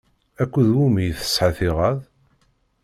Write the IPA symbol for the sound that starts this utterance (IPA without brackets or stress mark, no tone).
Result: æ